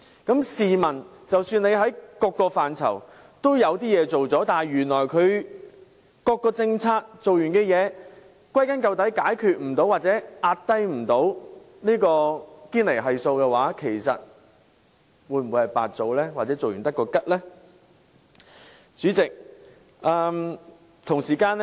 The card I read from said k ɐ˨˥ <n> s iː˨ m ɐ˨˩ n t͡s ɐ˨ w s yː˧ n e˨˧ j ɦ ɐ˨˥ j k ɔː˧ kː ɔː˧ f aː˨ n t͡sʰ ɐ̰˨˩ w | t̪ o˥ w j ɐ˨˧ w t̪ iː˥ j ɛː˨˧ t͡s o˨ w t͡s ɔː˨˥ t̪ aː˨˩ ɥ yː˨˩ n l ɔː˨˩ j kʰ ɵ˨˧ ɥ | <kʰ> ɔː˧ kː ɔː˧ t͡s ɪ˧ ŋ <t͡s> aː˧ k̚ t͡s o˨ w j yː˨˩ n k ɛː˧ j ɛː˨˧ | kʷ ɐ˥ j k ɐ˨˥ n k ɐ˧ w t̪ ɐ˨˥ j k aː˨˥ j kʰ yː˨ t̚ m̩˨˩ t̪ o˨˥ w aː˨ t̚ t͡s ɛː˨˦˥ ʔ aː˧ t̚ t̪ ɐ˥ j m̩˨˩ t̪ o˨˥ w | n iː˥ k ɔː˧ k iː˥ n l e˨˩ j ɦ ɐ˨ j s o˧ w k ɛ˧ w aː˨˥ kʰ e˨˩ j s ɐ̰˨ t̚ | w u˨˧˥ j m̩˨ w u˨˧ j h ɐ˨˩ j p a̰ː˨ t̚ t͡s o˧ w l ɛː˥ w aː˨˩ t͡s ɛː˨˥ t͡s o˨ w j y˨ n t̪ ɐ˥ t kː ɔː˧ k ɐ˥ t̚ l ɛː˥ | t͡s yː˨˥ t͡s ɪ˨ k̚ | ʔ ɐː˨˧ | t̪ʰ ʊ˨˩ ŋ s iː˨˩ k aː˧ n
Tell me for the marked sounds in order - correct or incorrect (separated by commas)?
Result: incorrect, incorrect, incorrect